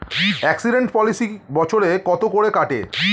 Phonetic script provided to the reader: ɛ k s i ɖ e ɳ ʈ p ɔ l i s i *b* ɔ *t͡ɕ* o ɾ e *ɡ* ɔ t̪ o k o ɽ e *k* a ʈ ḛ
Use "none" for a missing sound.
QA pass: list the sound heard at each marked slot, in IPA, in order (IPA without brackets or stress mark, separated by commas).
b, t͡ɕʰ, k, k